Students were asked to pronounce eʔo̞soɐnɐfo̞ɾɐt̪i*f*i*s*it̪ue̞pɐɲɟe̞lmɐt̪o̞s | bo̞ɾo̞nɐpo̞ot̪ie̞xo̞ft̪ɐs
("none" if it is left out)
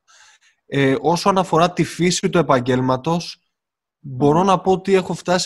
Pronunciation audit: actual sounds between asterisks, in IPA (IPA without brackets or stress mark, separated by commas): f, s